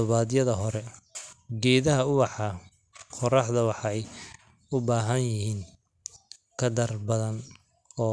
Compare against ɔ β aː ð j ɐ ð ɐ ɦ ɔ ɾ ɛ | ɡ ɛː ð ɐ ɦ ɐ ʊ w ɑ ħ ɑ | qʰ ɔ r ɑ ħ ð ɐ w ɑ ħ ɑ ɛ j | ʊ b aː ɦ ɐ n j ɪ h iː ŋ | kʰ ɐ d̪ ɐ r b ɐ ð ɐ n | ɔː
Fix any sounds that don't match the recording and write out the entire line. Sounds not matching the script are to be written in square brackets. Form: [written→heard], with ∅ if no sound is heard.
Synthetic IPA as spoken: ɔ β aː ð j ɐ ð ɐ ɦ ɔ ɾ ɛ | ɡ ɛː ð ɐ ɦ ɐ ʊ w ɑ ħ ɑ | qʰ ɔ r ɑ ħ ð ɐ w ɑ ħ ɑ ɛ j | ʊ b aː ɦ ɐ n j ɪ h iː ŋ | kʰ ɐ d̪ ɐ r b ɐ ð ɐ n | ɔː